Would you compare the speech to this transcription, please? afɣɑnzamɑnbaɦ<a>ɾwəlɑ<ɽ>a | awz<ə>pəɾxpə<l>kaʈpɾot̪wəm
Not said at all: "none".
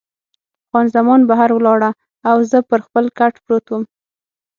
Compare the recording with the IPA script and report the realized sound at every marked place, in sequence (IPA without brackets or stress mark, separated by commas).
a, ɽ, ə, l